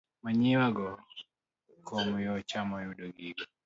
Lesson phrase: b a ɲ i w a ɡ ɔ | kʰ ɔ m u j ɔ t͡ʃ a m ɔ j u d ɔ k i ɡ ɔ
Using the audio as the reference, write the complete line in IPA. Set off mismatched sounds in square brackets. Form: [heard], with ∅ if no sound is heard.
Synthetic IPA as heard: [m] a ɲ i w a ɡ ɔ | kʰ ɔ m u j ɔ t͡ʃ a m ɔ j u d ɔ [ɡ] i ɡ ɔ